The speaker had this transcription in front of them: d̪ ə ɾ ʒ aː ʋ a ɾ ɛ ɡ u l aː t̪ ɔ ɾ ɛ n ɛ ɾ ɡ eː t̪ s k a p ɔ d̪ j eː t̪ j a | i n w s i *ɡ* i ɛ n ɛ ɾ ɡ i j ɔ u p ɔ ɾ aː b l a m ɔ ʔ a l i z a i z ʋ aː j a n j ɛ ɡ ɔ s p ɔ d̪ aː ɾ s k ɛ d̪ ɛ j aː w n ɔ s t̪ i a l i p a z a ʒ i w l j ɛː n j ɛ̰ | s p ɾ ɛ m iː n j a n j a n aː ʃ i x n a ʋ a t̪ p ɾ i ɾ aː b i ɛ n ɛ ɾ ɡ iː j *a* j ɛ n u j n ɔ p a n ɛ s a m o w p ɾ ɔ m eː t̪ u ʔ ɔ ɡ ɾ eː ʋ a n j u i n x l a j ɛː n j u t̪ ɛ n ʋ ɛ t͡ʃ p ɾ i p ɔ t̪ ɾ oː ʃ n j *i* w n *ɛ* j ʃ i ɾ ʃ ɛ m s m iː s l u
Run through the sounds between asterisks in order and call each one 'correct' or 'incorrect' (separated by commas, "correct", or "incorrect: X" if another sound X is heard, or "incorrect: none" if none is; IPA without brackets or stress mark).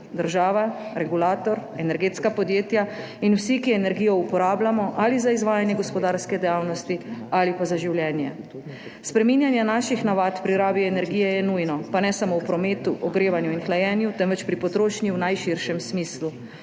incorrect: k, incorrect: ɛ, correct, incorrect: a